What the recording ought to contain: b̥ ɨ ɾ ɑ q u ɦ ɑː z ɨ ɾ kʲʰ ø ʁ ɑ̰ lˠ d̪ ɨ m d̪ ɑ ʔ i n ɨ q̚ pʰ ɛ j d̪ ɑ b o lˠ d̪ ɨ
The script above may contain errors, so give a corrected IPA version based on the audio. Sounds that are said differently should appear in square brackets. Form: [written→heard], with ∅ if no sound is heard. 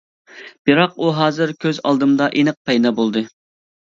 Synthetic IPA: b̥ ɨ ɾ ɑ q u ɦ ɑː z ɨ ɾ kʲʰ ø [ʁ→z] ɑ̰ lˠ d̪ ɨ m d̪ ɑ ʔ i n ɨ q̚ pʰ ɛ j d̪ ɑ b o lˠ d̪ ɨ